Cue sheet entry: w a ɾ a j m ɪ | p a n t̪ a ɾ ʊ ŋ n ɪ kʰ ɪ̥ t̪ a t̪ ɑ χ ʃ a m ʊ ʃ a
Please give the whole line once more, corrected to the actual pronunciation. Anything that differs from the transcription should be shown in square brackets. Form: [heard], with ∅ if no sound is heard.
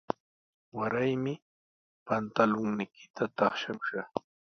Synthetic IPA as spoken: w a ɾ a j m ɪ | p a n t̪ a [l] ʊ ŋ n ɪ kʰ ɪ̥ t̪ a t̪ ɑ χ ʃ a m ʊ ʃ a